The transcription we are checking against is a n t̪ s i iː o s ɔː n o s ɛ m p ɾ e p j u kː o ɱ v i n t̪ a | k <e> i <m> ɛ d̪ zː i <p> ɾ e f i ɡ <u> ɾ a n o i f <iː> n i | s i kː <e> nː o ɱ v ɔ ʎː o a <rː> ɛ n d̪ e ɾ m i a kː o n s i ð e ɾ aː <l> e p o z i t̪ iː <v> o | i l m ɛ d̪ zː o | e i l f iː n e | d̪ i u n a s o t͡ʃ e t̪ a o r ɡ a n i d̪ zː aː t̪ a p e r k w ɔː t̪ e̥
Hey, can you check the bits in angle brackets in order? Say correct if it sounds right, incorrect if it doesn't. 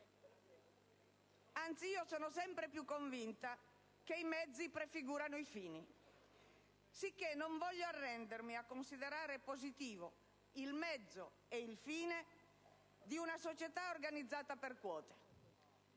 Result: correct, correct, correct, incorrect: uː, correct, correct, correct, incorrect: ɾ, correct

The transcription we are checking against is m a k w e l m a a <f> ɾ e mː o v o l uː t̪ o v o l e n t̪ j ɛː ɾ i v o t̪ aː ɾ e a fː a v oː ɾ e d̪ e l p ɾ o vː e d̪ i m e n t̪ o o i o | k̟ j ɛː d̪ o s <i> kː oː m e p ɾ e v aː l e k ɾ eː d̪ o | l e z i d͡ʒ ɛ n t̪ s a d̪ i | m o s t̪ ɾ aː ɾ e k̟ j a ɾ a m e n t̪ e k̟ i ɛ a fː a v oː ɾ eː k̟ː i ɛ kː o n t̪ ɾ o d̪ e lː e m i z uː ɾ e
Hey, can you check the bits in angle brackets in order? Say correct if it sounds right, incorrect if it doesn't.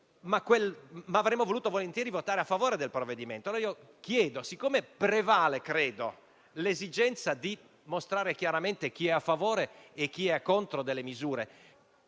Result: incorrect: v, correct

